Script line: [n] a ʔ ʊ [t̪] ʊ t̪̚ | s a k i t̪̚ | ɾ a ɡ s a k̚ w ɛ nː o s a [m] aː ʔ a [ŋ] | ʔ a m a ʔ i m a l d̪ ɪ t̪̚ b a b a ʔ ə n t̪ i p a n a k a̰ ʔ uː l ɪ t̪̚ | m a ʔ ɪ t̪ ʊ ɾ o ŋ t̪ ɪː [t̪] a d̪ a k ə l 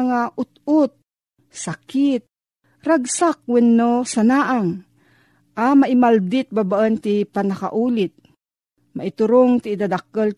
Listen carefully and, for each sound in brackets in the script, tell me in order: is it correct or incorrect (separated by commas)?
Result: incorrect, correct, incorrect, correct, incorrect